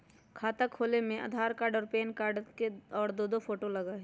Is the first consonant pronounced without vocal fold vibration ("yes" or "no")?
yes